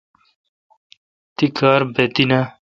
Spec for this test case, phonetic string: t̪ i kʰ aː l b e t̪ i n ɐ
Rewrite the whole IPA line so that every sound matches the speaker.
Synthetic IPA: t̪ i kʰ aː ɾ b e t̪ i n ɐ